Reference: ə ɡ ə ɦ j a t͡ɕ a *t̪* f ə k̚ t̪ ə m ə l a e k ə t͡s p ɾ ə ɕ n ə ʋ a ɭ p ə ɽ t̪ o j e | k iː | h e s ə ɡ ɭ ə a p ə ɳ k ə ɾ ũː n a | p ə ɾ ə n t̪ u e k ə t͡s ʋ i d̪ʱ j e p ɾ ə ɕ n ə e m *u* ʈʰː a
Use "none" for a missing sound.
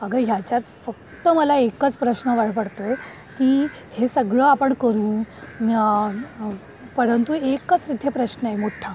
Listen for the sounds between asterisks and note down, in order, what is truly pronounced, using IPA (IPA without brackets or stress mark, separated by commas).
t̪, o